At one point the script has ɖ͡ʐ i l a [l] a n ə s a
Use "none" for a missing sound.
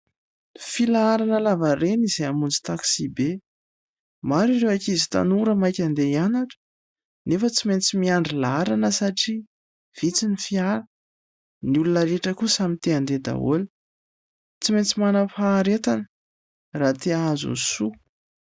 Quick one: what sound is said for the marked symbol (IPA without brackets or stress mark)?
ɾ